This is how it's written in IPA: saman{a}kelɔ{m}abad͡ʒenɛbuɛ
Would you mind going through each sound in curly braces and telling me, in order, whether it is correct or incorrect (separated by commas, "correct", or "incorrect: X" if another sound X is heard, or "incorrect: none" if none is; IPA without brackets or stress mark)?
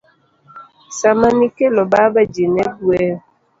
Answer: incorrect: i, incorrect: b